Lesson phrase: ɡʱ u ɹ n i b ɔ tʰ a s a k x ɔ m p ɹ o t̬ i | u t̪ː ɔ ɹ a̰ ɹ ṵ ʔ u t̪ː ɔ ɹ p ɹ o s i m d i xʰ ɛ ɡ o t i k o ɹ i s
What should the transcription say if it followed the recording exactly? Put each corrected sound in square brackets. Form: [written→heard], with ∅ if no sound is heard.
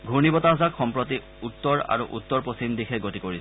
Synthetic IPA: ɡʱ u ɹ n i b ɔ [tʰ→t] a [s→z] a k x ɔ m p ɹ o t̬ i | u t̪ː ɔ ɹ a̰ ɹ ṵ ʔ u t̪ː ɔ ɹ p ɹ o s i m d i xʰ ɛ ɡ o t i k o ɹ i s